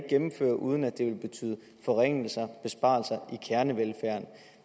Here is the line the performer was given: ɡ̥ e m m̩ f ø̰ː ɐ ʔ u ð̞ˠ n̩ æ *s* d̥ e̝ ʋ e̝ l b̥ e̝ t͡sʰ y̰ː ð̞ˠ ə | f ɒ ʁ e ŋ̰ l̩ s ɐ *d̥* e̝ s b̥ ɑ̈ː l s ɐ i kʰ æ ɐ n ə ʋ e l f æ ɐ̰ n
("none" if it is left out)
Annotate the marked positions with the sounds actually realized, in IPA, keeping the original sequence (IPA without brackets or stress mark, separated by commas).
none, b̥